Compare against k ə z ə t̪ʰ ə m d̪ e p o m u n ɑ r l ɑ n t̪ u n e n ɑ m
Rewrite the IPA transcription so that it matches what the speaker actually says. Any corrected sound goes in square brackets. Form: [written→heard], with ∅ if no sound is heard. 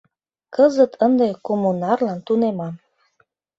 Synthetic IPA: k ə z ə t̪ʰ ə [m→n] d̪ e [p→k] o m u n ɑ r l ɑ n t̪ u n e [n→m] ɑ m